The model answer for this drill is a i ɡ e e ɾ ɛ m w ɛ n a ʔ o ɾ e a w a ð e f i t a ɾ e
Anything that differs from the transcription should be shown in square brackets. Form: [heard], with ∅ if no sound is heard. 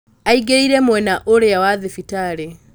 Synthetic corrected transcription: a i ɡ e [i] ɾ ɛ m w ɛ n a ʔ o ɾ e a w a ð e f i t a ɾ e